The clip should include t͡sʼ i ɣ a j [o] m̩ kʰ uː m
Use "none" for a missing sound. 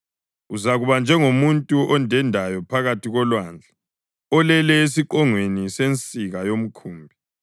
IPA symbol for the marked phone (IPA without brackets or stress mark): o